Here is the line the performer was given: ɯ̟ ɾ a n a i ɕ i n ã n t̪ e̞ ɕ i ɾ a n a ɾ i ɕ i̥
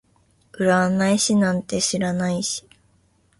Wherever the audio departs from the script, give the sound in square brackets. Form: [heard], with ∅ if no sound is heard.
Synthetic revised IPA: ɯ̟ ɾ a n a i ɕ i n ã n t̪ e̞ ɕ i ɾ a n a [∅] i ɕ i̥